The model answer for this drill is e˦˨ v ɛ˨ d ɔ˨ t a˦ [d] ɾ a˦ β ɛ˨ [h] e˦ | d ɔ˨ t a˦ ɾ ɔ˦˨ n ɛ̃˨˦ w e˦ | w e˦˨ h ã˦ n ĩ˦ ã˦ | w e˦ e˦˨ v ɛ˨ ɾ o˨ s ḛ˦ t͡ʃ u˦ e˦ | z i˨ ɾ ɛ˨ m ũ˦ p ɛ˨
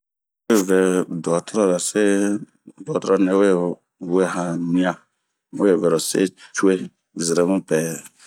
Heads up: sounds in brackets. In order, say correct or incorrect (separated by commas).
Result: incorrect, incorrect